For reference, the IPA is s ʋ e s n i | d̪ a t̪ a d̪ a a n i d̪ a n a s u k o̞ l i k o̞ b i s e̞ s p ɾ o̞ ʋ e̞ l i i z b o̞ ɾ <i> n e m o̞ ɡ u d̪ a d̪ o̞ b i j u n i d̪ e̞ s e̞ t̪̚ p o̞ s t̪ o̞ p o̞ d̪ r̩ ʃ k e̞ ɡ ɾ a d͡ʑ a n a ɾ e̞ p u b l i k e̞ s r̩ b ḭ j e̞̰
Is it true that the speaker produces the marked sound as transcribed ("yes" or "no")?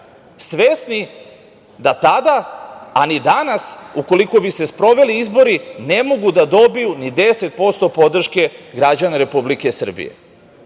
yes